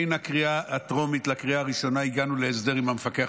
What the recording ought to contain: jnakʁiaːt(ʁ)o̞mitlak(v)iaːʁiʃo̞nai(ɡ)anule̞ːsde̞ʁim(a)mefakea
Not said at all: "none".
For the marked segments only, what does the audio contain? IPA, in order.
ʁ, ʁ, ɡ, a

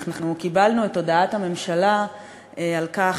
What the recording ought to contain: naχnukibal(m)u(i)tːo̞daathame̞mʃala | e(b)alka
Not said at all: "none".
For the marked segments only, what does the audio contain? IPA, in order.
n, e, none

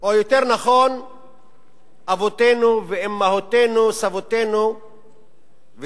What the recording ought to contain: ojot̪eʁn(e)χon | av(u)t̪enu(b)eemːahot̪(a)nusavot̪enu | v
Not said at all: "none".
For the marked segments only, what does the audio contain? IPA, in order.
a, o, v, e

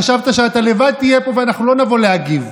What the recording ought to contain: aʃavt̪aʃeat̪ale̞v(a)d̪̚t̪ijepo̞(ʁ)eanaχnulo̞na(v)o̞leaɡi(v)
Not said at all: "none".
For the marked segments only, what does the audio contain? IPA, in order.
a, v, v, v

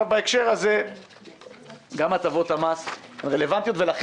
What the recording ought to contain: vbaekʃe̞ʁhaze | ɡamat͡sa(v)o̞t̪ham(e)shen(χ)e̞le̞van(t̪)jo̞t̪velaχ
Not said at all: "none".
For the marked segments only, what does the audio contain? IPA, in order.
v, a, ʁ, t̪

